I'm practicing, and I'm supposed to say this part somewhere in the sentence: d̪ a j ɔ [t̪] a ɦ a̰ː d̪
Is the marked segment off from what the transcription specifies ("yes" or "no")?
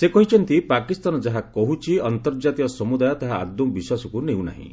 no